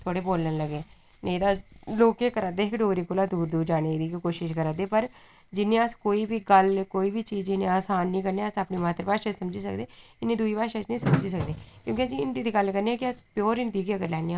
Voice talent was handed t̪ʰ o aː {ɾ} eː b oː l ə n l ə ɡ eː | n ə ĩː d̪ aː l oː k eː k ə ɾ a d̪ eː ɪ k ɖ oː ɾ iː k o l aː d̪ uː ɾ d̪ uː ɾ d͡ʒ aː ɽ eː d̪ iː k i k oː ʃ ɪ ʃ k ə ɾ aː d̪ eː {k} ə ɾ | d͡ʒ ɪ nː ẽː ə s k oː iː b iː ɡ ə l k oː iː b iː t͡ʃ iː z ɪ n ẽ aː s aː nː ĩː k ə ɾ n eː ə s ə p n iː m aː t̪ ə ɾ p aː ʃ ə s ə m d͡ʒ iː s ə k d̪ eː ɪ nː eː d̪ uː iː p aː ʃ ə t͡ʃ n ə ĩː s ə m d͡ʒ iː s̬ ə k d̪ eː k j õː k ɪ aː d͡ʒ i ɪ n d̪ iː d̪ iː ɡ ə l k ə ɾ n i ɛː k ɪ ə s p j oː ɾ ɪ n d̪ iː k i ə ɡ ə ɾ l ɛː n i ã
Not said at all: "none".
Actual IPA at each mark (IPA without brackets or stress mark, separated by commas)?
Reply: ɽ, p